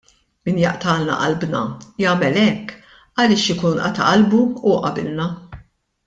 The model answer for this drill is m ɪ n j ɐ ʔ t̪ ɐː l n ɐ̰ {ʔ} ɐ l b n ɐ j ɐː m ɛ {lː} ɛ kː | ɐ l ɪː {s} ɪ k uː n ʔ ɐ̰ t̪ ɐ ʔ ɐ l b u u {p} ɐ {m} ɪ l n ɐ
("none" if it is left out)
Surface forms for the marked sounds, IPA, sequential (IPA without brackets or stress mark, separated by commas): ʔ, l, ʃ, ʔ, b